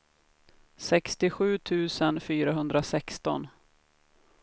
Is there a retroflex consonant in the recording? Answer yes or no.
no